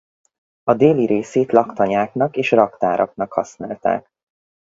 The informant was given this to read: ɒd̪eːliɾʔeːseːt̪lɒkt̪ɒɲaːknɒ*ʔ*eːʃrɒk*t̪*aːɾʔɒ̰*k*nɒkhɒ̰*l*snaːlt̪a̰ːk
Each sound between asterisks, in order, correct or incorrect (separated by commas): incorrect, correct, correct, incorrect